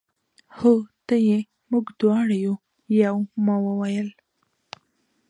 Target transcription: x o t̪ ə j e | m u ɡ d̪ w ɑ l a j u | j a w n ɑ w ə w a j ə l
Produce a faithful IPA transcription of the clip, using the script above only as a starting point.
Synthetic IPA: h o t̪ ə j e | m u ɡ d̪ w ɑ ɽ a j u | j a w m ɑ w ə w a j ə l